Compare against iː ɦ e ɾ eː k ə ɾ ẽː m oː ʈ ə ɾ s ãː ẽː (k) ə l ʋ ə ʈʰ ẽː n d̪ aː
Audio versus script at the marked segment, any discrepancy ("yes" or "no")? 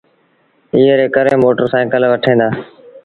no